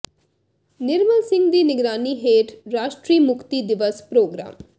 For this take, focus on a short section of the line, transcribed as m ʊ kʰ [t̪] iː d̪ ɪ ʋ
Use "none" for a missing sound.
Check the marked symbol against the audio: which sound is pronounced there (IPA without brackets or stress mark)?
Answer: t̪